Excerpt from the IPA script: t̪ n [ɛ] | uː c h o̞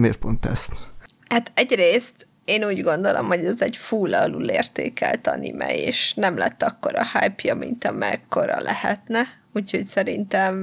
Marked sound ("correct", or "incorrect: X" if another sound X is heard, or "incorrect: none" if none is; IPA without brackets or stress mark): correct